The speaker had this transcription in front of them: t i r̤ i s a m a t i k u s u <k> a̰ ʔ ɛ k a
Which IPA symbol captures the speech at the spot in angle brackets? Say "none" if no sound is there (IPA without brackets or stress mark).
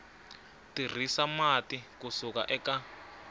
k